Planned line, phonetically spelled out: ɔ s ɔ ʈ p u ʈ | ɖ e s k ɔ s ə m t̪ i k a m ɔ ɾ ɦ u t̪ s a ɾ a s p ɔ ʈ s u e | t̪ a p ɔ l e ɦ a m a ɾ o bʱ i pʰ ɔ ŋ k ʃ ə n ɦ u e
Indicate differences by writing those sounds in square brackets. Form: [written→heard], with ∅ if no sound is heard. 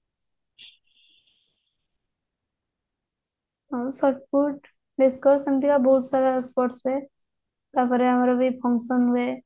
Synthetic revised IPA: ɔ s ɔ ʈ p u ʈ | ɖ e s k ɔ s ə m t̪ i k a [m→b] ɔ [ɾ→∅] ɦ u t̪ s a ɾ a s p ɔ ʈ s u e | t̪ a p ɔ [l→ɾ] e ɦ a m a ɾ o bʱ i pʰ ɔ ŋ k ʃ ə n ɦ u e